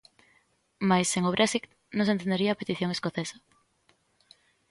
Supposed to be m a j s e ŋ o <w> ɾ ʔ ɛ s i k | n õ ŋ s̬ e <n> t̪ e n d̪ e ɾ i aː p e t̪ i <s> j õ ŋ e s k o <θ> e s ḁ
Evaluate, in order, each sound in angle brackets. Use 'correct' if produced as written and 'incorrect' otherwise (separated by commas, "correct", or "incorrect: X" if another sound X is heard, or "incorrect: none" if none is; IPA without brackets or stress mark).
incorrect: β, correct, incorrect: θ, correct